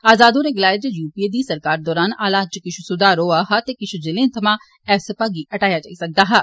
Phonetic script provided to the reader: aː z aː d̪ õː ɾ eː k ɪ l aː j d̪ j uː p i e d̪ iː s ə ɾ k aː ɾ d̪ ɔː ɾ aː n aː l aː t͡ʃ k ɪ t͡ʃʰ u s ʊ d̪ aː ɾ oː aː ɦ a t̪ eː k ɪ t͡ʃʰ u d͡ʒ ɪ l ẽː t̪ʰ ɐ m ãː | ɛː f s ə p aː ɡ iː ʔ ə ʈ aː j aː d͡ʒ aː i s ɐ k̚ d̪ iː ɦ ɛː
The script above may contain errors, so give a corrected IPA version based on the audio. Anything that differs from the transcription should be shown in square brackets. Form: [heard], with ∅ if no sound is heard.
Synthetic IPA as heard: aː z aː d̪ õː ɾ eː [ɡ] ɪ l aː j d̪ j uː p i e d̪ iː s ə ɾ k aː ɾ d̪ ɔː ɾ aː n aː l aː t͡ʃ k ɪ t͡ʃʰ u s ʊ d̪ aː ɾ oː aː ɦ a t̪ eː k ɪ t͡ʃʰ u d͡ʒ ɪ l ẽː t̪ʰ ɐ m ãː | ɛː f s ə p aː ɡ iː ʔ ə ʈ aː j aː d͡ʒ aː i s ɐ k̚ d̪ [aː] ɦ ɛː